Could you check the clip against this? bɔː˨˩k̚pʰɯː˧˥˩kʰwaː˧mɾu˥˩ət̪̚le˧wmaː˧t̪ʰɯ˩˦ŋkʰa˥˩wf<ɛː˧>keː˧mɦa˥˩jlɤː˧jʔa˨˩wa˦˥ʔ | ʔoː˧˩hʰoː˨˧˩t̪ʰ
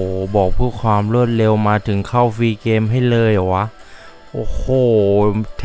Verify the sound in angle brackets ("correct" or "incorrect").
incorrect